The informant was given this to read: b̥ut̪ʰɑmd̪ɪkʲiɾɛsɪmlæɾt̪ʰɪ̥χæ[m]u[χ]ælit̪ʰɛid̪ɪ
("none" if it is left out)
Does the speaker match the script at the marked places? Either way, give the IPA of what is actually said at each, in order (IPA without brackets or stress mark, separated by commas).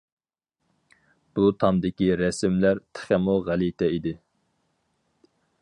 m, ʁ